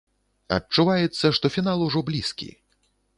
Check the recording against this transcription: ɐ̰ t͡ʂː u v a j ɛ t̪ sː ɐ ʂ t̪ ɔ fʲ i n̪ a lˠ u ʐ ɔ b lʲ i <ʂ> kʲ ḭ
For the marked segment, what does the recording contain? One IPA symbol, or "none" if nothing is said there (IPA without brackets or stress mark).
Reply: s